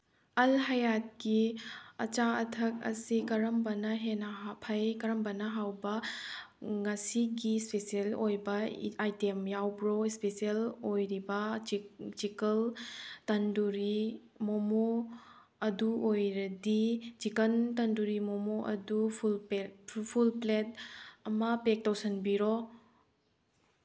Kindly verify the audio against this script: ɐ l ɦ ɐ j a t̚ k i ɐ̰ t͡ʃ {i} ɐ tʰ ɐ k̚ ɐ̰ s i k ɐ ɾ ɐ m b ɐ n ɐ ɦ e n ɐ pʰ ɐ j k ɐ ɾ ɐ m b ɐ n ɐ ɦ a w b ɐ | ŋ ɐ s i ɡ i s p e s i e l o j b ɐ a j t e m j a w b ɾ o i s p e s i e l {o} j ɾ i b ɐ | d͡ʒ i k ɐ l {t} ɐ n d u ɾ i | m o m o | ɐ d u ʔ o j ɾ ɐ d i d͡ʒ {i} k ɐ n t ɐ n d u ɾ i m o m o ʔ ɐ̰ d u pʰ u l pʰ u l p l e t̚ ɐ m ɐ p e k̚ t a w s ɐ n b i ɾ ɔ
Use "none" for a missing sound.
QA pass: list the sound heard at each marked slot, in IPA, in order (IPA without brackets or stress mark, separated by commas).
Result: a, o, t, i